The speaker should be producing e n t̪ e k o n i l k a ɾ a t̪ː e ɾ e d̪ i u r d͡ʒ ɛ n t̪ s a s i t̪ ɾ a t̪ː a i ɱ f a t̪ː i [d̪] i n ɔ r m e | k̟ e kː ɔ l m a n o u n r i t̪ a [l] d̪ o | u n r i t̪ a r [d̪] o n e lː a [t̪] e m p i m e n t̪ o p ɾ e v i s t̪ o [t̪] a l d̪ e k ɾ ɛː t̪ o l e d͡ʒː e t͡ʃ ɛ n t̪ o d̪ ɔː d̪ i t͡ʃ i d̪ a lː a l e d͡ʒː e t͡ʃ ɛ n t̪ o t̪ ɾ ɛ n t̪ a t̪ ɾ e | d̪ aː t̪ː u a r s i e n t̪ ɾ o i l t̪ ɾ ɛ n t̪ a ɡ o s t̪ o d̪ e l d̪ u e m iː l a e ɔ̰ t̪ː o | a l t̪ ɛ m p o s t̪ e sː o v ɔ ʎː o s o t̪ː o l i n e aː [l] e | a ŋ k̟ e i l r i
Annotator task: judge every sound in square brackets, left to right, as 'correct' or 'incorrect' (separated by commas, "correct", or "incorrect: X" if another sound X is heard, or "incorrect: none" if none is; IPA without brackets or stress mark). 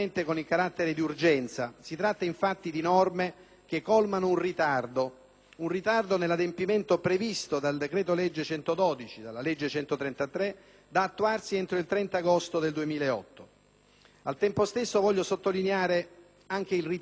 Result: correct, incorrect: r, correct, incorrect: d̪, incorrect: d̪, incorrect: ɾ